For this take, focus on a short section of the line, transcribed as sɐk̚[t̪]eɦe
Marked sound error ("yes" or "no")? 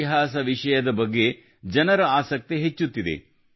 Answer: no